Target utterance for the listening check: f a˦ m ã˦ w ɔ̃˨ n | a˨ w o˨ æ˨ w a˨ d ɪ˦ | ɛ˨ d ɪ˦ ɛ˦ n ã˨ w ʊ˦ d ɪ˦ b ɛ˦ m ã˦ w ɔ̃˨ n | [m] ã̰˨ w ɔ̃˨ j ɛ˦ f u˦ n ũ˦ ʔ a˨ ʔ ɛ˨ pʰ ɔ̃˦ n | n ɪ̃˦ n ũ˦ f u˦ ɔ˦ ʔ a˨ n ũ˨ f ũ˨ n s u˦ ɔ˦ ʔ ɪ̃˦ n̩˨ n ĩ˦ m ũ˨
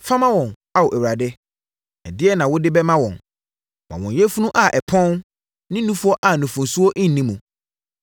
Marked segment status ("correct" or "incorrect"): correct